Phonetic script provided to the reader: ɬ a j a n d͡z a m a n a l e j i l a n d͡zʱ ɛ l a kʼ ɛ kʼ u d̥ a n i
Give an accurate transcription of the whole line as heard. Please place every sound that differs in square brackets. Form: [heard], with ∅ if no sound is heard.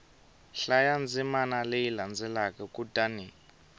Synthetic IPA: ɬ a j a n d͡z [i] m a n a l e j i l a n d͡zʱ ɛ l a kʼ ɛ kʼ u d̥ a n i